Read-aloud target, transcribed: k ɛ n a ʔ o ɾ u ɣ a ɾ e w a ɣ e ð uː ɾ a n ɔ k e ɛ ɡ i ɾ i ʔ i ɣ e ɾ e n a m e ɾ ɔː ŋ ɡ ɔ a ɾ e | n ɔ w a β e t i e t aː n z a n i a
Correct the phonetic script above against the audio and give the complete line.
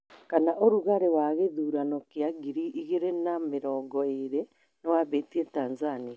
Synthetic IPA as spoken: k a n a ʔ o ɾ u ɣ a ɾ e w a ɣ e ð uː ɾ a n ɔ k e a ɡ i ɾ i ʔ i ɣ e ɾ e n a m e ɾ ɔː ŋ ɡ ɔ e ɾ e | n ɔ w a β e t i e t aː n z a n i a